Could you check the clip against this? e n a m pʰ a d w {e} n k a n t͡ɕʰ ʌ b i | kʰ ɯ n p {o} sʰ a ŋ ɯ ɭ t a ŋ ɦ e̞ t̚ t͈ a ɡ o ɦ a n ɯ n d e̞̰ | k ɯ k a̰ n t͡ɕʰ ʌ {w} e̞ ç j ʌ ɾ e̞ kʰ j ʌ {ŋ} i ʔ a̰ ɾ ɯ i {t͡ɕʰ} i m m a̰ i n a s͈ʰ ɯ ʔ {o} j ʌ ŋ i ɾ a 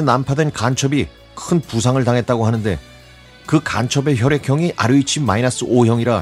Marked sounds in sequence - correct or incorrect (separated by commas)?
correct, incorrect, incorrect, correct, correct, correct